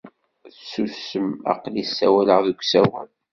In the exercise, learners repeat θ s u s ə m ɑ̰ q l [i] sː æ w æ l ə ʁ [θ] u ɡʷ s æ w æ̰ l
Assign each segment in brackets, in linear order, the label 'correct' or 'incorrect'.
correct, incorrect

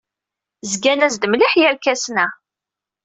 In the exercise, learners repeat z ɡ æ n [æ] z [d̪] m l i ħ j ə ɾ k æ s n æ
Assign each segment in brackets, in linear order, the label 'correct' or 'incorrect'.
correct, correct

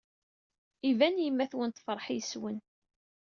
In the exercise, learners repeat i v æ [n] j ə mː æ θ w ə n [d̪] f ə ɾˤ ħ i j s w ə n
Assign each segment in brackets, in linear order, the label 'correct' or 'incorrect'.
correct, incorrect

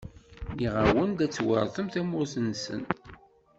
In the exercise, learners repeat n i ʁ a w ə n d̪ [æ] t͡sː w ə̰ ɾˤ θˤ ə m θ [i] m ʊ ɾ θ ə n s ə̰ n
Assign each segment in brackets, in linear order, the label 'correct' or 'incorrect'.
correct, incorrect

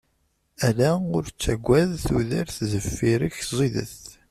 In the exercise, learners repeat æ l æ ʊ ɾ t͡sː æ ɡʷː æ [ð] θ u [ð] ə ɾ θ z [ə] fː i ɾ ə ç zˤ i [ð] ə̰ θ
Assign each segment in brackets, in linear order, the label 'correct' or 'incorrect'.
correct, correct, correct, correct

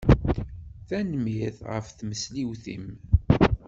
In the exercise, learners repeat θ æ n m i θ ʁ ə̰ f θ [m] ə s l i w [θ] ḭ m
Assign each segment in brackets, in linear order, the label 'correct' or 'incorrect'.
correct, correct

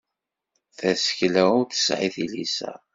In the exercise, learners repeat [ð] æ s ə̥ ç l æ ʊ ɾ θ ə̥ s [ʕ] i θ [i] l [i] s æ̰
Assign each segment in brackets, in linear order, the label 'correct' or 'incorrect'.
incorrect, correct, correct, correct

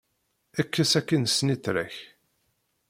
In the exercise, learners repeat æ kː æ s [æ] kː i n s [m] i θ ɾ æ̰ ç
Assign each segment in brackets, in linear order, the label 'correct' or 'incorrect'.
correct, incorrect

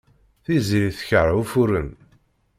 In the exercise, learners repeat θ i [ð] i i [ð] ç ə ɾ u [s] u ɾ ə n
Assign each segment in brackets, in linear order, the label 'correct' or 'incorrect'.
incorrect, incorrect, incorrect

